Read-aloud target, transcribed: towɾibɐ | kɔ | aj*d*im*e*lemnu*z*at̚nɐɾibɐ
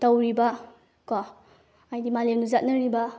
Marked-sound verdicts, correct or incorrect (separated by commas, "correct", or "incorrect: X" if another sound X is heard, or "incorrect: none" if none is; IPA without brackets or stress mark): correct, incorrect: a, correct